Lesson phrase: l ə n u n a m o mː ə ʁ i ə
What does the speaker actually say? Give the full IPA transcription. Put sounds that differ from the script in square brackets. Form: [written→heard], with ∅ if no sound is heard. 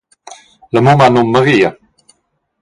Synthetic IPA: l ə [n→m] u [n→m] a [m→n] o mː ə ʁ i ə